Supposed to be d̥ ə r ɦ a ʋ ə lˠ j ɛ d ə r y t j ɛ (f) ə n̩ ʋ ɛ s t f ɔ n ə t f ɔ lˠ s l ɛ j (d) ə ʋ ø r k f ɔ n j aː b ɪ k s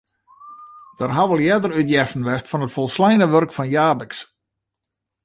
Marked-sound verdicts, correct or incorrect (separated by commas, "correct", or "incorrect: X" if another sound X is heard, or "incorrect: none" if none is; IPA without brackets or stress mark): correct, incorrect: n